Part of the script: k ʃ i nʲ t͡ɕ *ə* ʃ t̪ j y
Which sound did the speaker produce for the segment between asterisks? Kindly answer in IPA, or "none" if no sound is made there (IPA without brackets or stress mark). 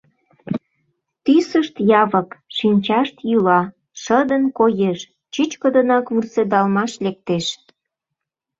ɑ